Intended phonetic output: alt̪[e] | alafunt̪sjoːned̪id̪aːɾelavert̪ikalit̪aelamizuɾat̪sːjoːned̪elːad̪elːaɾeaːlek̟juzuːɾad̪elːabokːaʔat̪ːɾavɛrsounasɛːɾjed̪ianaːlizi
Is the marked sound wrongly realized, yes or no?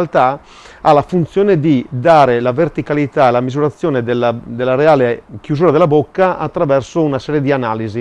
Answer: yes